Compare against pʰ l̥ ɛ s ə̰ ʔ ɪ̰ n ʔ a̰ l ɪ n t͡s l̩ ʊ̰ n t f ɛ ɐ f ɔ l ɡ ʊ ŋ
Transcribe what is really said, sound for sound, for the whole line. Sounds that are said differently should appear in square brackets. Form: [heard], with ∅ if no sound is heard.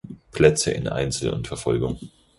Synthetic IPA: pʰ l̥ ɛ [t͡s] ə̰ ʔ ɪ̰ n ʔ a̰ [∅] ɪ n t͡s l̩ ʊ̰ n t f ɛ ɐ f ɔ l ɡ ʊ ŋ